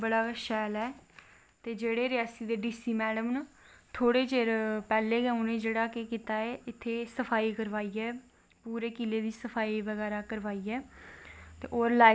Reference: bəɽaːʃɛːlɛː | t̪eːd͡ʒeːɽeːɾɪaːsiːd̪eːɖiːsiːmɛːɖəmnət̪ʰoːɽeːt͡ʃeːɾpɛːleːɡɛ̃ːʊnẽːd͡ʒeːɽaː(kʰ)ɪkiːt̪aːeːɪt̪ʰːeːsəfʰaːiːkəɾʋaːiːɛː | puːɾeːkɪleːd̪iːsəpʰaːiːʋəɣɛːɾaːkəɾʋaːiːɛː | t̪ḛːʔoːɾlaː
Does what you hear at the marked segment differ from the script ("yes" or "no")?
yes